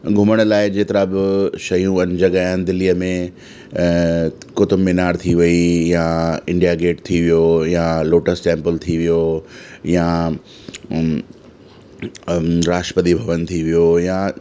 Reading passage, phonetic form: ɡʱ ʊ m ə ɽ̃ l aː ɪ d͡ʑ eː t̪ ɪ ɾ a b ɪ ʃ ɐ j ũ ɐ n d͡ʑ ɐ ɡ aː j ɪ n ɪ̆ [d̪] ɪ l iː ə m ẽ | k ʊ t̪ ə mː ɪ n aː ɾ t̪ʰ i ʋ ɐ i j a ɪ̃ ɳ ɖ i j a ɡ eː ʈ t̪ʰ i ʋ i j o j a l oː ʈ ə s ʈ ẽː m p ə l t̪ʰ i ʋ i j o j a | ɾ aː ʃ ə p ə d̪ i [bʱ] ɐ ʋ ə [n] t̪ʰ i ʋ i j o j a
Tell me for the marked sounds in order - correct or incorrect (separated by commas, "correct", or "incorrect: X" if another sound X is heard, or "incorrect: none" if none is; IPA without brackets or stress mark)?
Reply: correct, correct, correct